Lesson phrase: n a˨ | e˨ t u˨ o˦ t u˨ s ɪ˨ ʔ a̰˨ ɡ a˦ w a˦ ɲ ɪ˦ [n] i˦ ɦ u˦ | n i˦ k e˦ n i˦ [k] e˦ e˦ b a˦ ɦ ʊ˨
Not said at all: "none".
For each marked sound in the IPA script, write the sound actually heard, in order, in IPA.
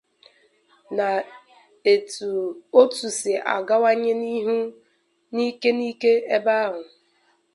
n, k

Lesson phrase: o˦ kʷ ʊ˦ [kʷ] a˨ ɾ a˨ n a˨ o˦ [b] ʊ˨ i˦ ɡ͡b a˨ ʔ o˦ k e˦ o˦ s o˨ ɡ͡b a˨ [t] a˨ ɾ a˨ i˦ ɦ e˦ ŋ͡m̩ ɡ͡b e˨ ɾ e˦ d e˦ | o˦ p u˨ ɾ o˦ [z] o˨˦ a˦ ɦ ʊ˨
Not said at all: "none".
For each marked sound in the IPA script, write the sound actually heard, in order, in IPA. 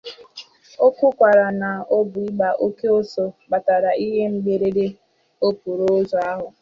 kʷ, b, t, z

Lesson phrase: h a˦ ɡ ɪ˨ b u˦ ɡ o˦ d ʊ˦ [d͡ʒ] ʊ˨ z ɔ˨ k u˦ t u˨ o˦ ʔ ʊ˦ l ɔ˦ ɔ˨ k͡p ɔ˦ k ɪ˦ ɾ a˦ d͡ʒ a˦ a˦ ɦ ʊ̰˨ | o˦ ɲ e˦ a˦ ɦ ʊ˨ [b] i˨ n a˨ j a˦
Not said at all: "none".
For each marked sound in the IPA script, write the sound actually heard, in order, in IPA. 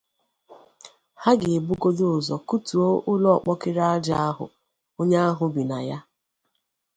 none, b

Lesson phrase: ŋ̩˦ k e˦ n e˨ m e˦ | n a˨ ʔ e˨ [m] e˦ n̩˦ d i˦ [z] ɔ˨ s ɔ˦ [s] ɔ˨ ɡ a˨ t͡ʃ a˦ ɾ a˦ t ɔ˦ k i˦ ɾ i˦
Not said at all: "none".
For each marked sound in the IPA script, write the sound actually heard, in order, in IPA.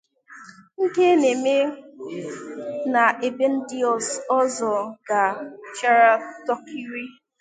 b, none, z

